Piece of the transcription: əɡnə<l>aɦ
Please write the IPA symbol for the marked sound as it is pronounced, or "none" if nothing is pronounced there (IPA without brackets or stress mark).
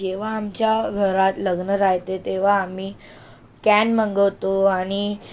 ɾ